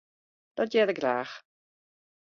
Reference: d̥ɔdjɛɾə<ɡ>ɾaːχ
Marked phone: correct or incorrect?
correct